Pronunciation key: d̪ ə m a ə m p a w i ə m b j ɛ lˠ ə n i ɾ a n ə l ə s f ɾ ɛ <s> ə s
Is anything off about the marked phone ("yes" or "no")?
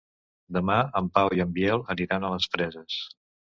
yes